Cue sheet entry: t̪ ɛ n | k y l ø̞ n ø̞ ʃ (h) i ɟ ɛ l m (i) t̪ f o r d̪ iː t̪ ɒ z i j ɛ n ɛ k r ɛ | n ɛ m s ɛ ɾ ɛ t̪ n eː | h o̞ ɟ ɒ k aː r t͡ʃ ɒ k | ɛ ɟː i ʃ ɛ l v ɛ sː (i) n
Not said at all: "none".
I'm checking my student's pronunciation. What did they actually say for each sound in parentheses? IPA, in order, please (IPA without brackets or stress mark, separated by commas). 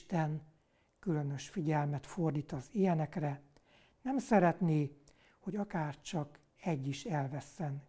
f, ɛ, ɛ